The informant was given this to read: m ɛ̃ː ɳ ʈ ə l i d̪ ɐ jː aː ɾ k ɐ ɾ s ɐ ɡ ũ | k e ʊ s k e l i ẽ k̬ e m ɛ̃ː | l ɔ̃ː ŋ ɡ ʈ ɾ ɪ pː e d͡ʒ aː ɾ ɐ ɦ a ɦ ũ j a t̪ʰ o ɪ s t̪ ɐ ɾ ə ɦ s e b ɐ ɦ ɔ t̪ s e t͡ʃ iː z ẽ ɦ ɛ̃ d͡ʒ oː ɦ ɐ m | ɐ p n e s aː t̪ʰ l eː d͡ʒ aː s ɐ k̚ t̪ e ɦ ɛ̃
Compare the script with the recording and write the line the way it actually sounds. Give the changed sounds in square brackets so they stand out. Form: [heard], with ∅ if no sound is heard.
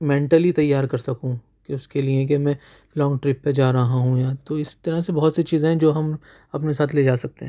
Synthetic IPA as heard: m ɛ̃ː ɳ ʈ ə l i [t̪] ɐ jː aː ɾ k ɐ ɾ s ɐ [k] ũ | k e ʊ s k e l i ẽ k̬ e m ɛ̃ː | l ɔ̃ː ŋ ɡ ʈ ɾ ɪ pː e d͡ʒ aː ɾ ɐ ɦ a ɦ ũ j a [t̪] o ɪ s t̪ ɐ ɾ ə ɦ s e b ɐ ɦ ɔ t̪ s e t͡ʃ iː z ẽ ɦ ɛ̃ d͡ʒ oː ɦ ɐ m | ɐ p n e s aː t̪ʰ l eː d͡ʒ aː s ɐ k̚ t̪ e ɦ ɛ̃